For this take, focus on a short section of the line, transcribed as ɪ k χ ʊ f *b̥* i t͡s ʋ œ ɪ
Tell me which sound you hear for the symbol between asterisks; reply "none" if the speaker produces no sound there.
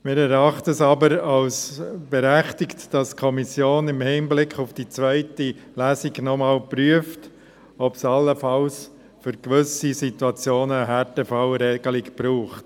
d̥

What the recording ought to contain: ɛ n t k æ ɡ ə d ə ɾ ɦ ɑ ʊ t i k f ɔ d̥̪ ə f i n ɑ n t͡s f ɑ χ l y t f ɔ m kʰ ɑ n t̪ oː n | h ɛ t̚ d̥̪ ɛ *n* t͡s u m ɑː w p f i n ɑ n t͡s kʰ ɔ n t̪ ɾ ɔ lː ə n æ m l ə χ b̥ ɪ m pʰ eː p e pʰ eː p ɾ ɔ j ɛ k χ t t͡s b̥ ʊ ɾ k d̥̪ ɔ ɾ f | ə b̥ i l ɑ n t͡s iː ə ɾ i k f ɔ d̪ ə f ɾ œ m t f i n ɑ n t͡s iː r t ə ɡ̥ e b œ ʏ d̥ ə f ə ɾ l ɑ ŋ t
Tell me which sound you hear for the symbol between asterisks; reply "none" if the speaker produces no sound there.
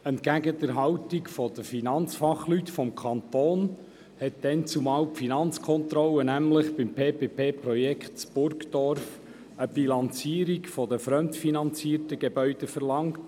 n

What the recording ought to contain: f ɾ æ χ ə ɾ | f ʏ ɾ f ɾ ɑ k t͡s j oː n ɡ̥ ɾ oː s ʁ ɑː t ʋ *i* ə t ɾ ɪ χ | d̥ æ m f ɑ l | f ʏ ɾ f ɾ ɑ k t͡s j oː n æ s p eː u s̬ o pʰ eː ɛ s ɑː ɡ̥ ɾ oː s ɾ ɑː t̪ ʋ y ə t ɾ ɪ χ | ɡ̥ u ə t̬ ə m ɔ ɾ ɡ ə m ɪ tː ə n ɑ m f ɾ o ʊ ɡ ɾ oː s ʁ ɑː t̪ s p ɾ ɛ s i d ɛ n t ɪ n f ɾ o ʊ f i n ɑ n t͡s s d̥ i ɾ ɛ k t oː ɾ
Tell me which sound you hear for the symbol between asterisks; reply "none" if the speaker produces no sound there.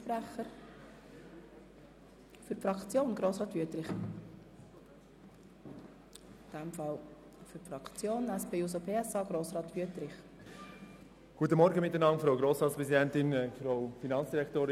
y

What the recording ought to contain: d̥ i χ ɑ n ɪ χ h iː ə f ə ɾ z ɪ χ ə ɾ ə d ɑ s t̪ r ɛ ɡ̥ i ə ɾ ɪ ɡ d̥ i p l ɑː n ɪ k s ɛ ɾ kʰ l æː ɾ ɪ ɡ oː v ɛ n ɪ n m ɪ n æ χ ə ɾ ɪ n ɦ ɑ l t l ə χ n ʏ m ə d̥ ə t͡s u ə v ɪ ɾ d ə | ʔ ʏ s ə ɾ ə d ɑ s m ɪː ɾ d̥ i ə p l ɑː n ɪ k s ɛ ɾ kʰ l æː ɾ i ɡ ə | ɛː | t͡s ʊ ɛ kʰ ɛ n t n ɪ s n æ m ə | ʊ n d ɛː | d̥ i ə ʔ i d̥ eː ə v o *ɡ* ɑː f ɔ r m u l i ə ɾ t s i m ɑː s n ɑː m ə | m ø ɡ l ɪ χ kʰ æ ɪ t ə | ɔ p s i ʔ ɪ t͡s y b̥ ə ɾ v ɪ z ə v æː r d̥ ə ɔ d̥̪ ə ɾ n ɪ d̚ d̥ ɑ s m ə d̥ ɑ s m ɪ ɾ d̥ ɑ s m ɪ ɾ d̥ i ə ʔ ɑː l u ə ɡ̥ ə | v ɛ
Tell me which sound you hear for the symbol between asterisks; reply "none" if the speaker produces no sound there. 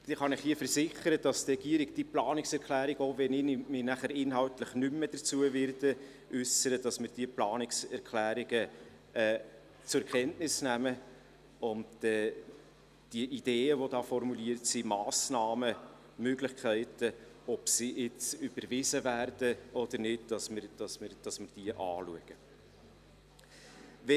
d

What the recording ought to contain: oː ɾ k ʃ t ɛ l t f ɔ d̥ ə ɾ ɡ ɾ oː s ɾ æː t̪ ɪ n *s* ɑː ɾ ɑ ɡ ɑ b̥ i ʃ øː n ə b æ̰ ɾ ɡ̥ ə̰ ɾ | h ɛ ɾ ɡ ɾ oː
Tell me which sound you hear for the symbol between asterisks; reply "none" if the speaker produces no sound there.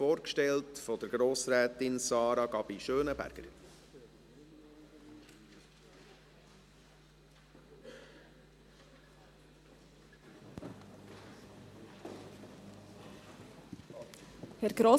s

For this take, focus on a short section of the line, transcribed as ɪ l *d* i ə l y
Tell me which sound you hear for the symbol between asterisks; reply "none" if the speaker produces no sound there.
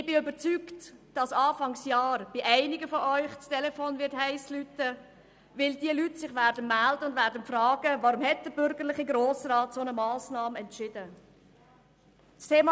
d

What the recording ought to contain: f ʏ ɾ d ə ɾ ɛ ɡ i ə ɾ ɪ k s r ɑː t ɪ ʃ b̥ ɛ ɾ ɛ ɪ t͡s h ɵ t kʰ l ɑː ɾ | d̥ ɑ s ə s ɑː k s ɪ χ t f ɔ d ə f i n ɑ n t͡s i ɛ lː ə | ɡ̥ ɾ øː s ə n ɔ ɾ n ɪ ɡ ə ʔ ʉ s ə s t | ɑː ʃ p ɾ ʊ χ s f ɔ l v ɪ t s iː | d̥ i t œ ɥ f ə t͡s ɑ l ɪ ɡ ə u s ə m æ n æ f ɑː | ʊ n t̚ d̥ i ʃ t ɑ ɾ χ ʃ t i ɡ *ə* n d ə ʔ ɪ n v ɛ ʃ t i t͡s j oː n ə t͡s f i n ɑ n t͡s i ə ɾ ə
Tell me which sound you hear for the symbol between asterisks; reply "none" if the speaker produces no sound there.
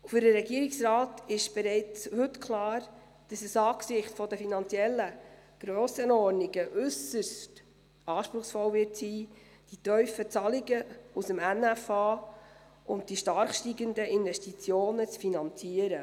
ə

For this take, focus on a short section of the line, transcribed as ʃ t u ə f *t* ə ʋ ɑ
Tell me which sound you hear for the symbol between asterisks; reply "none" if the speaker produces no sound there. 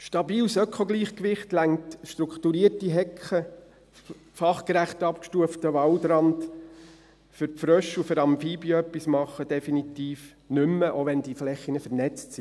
t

